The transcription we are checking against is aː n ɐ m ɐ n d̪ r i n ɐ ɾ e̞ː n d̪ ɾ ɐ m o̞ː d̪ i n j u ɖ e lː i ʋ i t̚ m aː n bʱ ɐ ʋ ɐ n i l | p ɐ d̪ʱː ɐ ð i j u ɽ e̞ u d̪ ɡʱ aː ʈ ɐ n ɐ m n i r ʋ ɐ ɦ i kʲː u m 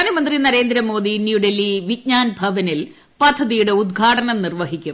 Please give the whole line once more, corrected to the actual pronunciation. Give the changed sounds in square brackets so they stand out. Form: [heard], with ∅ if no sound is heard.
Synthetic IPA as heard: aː n ɐ m ɐ n d̪ r i n ɐ ɾ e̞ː n d̪ ɾ ɐ m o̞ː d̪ i n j u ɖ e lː i ʋ i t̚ [ɲ] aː n bʱ ɐ ʋ ɐ n i l | p ɐ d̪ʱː ɐ ð i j u ɽ e̞ u d̪ ɡʱ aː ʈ ɐ n ɐ m n i r ʋ ɐ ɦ i kʲː u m